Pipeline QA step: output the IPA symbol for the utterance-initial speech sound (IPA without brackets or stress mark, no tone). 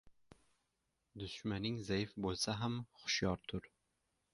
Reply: d̪